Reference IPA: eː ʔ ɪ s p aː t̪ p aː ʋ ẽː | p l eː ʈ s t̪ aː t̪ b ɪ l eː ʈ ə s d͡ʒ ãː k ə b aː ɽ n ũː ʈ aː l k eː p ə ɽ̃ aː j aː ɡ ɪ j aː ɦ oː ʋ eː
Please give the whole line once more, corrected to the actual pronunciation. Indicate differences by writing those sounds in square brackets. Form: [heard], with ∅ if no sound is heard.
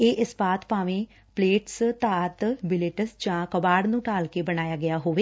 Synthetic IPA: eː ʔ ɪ s p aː t̪ p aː ʋ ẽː | p l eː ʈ s t̪ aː t̪ b ɪ l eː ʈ ə s d͡ʒ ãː k ə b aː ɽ n ũː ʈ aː l k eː [b] ə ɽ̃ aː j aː ɡ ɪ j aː ɦ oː ʋ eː